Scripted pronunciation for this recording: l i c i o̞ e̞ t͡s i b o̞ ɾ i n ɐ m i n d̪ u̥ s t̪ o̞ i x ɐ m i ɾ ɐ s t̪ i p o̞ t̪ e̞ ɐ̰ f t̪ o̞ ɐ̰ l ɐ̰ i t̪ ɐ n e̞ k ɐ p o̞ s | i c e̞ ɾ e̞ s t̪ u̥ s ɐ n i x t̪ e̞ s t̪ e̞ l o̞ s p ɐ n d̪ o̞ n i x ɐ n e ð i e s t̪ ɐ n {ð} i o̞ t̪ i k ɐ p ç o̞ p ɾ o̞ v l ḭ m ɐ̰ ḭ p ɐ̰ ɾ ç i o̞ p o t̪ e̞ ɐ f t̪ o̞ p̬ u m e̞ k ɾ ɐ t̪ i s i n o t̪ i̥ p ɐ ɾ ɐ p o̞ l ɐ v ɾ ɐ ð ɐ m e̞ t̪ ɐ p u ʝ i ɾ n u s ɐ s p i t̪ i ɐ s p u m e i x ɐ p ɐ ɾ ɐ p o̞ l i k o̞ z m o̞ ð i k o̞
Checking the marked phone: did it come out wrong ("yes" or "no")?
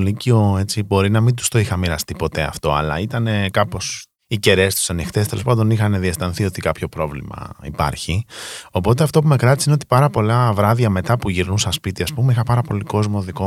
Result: yes